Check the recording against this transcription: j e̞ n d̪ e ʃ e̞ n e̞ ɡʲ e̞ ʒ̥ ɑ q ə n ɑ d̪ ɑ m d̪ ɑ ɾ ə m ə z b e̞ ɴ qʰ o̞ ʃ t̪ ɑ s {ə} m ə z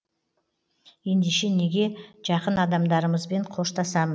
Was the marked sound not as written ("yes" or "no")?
yes